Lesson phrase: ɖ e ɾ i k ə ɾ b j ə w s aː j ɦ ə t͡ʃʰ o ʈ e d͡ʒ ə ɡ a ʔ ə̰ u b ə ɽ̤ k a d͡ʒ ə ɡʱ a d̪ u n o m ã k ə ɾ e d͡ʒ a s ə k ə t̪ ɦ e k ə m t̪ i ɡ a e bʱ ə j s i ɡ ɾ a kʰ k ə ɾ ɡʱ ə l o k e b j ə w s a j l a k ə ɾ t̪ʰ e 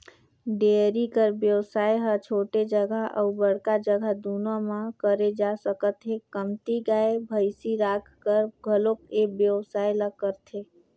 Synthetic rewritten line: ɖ e ɾ i k ə ɾ b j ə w s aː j ɦ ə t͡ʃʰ o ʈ e d͡ʒ ə ɡ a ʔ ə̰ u b ə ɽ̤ k a d͡ʒ ə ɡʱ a d̪ u n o m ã k ə ɾ e d͡ʒ a s ə k ə t̪ ɦ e k ə m t̪ i ɡ a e bʱ ə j s i ɾ a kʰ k ə ɾ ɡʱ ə l o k e b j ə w s a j l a k ə ɾ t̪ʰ e